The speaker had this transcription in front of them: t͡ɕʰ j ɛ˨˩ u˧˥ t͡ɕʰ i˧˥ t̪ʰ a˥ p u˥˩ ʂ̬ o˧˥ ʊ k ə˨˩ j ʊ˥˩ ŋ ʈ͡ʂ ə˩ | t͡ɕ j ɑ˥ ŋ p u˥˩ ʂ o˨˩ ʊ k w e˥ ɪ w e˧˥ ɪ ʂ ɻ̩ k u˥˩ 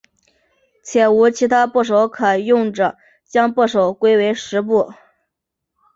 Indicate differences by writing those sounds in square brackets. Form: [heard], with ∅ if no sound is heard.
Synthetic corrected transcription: t͡ɕʰ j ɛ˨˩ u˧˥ t͡ɕʰ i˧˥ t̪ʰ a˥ p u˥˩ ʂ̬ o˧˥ ʊ [kʰ] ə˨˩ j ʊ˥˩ ŋ ʈ͡ʂ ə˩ | t͡ɕ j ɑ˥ ŋ p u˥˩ ʂ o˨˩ ʊ k w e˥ ɪ w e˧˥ ɪ ʂ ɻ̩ [p] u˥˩